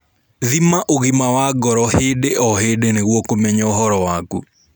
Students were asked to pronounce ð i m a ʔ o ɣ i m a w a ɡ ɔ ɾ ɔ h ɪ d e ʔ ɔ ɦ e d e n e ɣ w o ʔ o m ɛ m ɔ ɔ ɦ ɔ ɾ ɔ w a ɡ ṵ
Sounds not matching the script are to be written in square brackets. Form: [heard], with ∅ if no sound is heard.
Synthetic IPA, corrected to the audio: ð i m a ʔ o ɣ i m a w a ɡ ɔ ɾ ɔ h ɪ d e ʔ ɔ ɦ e d e n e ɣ w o [k] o m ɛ [ɲ] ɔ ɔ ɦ ɔ ɾ ɔ w a ɡ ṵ